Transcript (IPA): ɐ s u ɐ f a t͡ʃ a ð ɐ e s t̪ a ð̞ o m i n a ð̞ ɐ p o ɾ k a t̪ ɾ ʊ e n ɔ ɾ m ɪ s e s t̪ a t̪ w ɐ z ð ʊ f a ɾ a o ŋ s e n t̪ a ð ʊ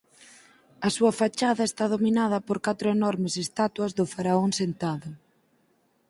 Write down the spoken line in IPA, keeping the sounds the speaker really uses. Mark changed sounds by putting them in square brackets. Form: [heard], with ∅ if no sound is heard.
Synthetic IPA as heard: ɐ s u ɐ f a t͡ʃ a ð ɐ e s t̪ a ð̞ o m i n a ð̞ ɐ p o ɾ k a t̪ ɾ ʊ e n ɔ ɾ m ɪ s e s t̪ a t̪ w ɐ z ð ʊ f a ɾ a o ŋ s e n t̪ a ð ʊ